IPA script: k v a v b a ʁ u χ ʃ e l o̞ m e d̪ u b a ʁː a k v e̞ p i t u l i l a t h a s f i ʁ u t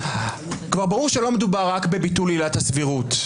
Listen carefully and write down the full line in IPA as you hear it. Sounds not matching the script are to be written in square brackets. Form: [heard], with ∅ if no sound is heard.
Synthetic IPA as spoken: k v a [ʁ] b a ʁ u [ʁ] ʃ e l o̞ m e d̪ u b a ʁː a k [b] e̞ [b] i t u l i l a t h a s [v] i ʁ u t